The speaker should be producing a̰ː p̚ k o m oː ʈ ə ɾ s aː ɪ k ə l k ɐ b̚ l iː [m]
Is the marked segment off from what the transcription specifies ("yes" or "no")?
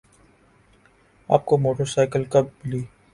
yes